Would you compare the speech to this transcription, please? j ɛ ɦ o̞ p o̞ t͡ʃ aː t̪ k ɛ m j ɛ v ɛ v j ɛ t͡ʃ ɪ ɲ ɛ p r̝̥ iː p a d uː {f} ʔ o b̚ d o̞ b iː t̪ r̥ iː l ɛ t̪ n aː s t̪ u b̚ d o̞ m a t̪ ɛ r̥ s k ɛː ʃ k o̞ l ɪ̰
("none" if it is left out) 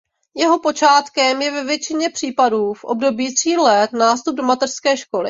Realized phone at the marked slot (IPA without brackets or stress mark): f